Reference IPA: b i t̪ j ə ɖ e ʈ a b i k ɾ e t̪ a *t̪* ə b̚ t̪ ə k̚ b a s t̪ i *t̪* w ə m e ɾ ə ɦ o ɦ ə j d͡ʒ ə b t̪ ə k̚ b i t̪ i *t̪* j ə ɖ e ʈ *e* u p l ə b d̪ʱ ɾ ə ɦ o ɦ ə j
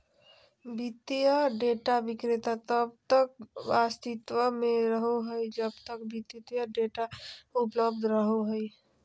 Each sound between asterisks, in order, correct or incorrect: correct, correct, correct, incorrect: a

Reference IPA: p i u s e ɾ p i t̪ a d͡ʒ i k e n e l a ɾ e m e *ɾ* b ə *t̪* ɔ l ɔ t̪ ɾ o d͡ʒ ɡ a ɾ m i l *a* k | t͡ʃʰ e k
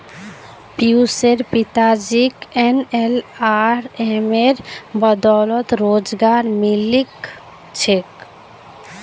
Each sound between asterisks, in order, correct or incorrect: correct, incorrect: d̪, incorrect: i

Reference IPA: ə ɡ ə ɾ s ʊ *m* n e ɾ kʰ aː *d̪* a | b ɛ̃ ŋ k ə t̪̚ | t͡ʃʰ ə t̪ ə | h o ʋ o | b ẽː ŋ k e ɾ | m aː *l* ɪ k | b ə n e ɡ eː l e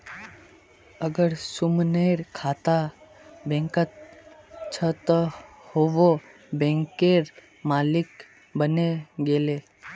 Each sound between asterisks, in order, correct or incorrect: correct, incorrect: t̪, correct

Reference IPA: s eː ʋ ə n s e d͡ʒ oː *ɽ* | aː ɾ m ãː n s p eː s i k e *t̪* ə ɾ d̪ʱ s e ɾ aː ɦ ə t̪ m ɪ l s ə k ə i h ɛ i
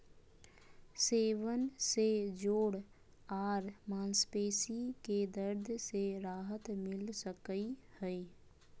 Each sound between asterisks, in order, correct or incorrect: correct, incorrect: d̪

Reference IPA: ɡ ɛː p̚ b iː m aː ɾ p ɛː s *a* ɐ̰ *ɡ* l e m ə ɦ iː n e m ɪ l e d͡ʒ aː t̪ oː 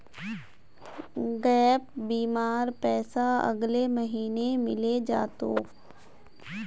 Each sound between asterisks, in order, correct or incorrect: correct, correct

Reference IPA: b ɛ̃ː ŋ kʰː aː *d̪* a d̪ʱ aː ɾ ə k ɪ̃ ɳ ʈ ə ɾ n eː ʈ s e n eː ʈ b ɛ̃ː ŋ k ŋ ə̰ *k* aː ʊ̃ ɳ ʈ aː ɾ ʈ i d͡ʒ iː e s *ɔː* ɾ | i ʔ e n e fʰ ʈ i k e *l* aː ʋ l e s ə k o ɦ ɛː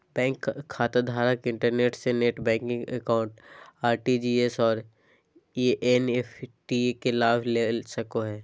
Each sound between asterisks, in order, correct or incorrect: incorrect: t̪, correct, correct, correct

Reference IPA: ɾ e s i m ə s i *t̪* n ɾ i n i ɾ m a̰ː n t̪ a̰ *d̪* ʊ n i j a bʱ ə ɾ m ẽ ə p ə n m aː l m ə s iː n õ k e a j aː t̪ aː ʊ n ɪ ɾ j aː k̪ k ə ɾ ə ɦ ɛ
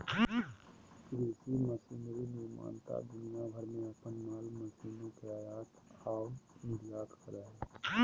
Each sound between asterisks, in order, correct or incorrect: incorrect: none, correct

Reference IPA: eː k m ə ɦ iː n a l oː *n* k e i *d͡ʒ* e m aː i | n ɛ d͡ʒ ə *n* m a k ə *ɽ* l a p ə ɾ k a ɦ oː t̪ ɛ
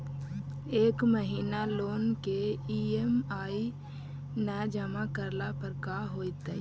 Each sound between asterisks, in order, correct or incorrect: correct, incorrect: none, incorrect: none, incorrect: ɾ

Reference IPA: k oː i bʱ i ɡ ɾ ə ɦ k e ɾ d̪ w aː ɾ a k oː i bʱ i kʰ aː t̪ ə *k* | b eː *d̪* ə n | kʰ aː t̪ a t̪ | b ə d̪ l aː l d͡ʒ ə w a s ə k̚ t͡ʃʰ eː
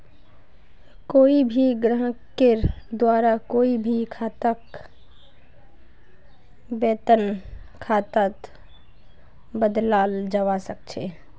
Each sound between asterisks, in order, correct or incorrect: correct, incorrect: t̪

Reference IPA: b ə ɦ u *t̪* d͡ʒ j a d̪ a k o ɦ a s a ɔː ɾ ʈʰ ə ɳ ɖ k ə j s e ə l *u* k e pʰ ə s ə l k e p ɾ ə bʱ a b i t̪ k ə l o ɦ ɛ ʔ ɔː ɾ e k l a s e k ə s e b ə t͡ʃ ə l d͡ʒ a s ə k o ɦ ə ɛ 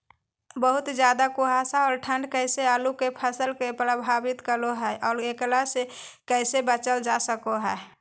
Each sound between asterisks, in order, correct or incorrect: correct, correct

